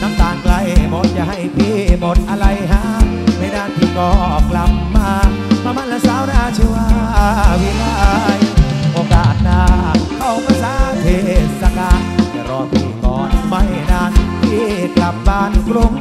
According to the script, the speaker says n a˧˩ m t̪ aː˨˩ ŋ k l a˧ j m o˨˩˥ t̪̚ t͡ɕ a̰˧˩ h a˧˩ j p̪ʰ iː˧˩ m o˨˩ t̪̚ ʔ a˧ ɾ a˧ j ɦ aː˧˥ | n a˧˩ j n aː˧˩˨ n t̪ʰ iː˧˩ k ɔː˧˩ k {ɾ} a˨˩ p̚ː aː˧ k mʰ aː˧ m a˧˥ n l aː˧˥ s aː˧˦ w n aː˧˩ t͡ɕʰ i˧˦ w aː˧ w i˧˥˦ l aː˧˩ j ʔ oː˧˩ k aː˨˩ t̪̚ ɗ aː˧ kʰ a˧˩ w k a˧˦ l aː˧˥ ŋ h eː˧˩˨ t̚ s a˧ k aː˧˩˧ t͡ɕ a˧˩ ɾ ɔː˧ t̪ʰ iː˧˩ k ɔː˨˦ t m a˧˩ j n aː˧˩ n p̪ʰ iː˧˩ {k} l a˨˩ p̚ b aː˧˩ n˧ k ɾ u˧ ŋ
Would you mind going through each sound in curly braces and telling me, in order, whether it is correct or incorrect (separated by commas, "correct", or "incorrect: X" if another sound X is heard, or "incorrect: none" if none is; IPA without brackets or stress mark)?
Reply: incorrect: l, correct